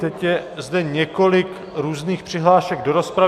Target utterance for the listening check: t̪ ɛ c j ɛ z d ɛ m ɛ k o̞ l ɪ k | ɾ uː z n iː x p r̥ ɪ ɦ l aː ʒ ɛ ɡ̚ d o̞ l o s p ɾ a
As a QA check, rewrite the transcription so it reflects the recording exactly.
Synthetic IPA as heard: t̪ ɛ c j ɛ z d ɛ ɲ ɛ k o̞ l ɪ k | ɾ uː z n iː x p r̥ ɪ ɦ l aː ʃ ɛ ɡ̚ d o̞ ɾ o s p ɾ a

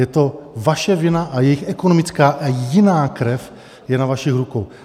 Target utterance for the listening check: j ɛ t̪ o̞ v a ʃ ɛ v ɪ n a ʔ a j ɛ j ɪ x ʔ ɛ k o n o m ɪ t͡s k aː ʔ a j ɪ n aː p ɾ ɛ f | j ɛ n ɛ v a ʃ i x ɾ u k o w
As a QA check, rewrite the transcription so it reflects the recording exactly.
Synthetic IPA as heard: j ɛ t̪ o̞ v a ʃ ɛ v ɪ n a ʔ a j ɛ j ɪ x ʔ ɛ k o n o m ɪ t͡s k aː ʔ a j ɪ n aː k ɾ ɛ f | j ɛ n a v a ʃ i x ɾ u k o w

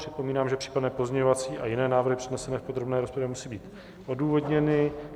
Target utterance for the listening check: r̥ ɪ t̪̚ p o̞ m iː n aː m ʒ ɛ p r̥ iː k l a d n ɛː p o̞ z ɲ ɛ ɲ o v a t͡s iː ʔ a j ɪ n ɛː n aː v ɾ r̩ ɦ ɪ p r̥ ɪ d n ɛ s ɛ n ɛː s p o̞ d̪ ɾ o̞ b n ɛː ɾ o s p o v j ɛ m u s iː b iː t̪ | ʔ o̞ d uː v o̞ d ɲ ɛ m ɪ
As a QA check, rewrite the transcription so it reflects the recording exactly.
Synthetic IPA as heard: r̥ ɪ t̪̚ p o̞ m iː n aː m ʒ ɛ p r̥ iː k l a d n ɛː p o̞ z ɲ ɛ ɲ o v a t͡s iː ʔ a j ɪ n ɛː n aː v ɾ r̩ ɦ ɪ p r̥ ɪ d n ɛ s ɛ n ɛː f p o̞ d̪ ɾ o̞ b n ɛː ɾ o s p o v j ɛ m u s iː b iː t̪ | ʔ o̞ d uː v o̞ d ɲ ɛ n ɪ

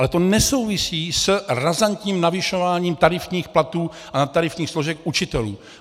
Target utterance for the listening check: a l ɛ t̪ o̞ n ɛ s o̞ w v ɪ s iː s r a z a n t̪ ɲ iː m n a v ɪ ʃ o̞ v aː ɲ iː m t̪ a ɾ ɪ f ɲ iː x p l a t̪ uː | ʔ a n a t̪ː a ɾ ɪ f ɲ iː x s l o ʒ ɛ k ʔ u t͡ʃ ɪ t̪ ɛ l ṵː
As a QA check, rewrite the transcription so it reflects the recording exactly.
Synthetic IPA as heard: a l ɛ t̪ o̞ n ɛ s o̞ w v ɪ s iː s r a z a n t̪ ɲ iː m n a v ɪ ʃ o̞ v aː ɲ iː m t̪ a ɾ ɪ f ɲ iː x p l a t̪ uː | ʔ a n a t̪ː a ɾ ɪ f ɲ iː x s l o ʒ ɛ k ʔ u t͡ʃ ɪ t̪ ɛ l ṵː

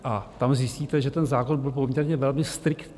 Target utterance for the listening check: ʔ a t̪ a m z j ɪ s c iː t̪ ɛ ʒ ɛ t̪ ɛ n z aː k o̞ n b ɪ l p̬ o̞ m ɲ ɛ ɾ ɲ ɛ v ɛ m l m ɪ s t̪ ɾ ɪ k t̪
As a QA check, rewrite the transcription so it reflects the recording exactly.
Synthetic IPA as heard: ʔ a t̪ a m z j ɪ s c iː t̪ ɛ ʒ ɛ t̪ ɛ n z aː k o̞ n b ɪ l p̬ o̞ m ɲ ɛ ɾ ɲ ɛ v ɛ l m ɪ s t̪ ɾ ɪ k t̪

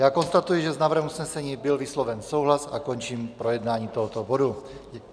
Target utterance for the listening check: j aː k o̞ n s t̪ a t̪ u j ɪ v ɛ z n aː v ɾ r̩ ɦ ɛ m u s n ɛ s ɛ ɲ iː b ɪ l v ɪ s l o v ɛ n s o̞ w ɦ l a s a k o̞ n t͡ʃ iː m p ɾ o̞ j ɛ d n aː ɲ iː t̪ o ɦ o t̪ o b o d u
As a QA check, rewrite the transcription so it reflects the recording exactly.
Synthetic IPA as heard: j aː k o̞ n s t̪ a t̪ u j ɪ ʒ ɛ z n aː v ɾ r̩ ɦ ɛ m u s n ɛ s ɛ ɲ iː b ɪ l v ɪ s l o v ɛ n s o̞ w ɦ l a s a k o̞ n t͡ʃ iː m p ɾ o̞ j ɛ d n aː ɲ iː t̪ o ɦ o t̪ o b o d u

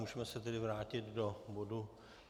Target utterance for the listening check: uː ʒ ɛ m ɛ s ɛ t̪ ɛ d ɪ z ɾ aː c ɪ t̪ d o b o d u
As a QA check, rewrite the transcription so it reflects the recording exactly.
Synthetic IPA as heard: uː ʒ ɛ m ɛ s ɛ t̪ ɛ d ɪ v ɾ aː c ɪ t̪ d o b o d u

